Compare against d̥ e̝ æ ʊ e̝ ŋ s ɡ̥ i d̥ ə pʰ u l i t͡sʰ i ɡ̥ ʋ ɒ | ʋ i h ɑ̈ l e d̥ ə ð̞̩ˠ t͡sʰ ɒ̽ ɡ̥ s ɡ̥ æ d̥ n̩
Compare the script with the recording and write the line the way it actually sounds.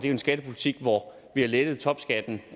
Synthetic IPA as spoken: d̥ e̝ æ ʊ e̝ n s ɡ̥ æ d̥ ə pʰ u l i t͡sʰ i ɡ̥ ʋ ɒ | ʋ i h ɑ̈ l e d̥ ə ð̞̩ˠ t͡sʰ ɒ̽ b̥ s ɡ̥ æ d̥ n̩